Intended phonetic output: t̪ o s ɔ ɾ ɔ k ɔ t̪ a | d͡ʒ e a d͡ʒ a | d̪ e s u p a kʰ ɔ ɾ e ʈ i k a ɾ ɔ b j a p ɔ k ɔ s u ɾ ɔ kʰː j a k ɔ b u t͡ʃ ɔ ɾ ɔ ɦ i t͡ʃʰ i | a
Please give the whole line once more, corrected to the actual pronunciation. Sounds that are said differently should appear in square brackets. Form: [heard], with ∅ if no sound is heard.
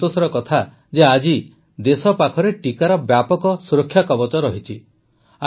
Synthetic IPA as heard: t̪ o s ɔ ɾ ɔ k ɔ [t̪ʰ] a | d͡ʒ e a d͡ʒ [i] | d̪ e s [ɔ] p a kʰ ɔ ɾ e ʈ i k a ɾ ɔ b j a p ɔ k ɔ s u ɾ ɔ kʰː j a k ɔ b [ɔ] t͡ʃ ɔ ɾ ɔ ɦ i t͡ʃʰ i | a

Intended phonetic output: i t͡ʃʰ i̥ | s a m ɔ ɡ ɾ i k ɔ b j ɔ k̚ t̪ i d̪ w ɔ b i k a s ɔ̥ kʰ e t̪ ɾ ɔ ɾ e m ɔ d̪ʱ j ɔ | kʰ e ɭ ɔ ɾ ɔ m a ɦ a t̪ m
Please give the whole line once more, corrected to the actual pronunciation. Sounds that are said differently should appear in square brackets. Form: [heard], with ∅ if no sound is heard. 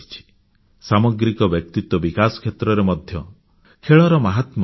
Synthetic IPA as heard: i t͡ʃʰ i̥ | s a m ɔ ɡ ɾ i k ɔ b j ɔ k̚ t̪ i [t̪] w ɔ b i k a s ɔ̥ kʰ e t̪ ɾ ɔ ɾ e m ɔ d̪ʱ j ɔ | kʰ e ɭ ɔ ɾ ɔ m a ɦ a t̪ m

